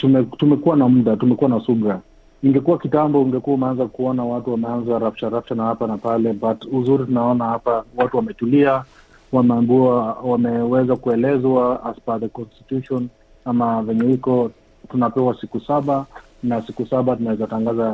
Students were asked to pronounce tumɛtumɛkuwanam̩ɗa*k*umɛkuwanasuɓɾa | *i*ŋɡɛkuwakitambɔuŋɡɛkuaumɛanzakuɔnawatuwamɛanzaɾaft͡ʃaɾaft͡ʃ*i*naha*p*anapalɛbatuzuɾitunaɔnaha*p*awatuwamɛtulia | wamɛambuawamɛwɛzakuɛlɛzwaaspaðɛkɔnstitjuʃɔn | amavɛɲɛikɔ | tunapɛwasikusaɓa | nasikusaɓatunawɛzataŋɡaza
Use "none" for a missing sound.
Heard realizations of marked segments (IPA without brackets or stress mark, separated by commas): t, i, a, p, p